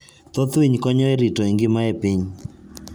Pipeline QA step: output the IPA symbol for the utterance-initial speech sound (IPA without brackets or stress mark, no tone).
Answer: t̪